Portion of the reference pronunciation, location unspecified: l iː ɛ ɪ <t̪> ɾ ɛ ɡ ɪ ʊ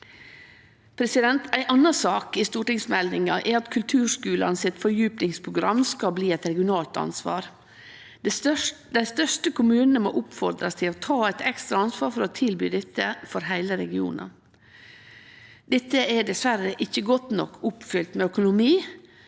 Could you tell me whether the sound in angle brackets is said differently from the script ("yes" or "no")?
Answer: no